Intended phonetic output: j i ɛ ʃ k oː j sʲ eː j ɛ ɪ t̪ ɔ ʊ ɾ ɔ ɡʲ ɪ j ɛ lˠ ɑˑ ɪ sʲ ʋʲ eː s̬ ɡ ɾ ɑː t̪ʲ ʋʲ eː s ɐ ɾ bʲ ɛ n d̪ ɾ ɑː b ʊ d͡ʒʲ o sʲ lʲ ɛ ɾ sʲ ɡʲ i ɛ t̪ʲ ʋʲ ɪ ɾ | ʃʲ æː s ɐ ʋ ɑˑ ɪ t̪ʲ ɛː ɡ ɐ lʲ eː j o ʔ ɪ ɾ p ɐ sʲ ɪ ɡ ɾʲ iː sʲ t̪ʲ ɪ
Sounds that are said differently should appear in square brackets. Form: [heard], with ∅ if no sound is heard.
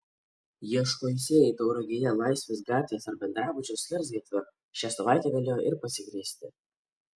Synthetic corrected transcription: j i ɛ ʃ k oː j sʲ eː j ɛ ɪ t̪ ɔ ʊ ɾ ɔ ɡʲ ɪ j ɛ lˠ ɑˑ ɪ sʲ ʋʲ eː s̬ ɡ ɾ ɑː t̪ʲ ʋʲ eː s ɐ ɾ bʲ ɛ n d̪ ɾ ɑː b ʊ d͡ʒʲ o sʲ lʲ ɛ ɾ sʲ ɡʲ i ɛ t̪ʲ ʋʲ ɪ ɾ | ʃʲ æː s ɐ ʋ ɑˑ ɪ t̪ʲ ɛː ɡ ɐ lʲ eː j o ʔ ɪ ɾ p ɐ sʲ ɪ ɡ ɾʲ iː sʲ t̪ʲ ɪ